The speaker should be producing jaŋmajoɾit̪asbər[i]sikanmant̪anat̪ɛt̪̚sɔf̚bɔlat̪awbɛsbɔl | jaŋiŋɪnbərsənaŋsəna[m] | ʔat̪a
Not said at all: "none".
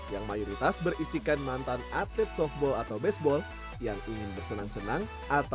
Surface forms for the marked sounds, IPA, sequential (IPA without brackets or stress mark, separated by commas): i, ŋ